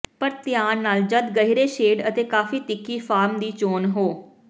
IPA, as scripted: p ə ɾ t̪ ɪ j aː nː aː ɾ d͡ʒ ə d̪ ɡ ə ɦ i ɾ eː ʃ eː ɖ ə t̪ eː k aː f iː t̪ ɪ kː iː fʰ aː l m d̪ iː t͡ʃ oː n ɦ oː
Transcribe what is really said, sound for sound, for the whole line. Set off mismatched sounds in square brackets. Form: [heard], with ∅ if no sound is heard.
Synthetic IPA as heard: p ə ɾ t̪ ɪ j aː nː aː [l] d͡ʒ ə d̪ ɡ ə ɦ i ɾ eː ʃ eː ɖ ə t̪ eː k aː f iː t̪ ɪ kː iː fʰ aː [ɾ] m d̪ iː t͡ʃ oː n ɦ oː